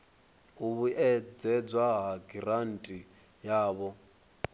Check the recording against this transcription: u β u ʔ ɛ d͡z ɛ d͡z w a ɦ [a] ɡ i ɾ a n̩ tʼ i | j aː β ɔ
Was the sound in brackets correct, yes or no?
yes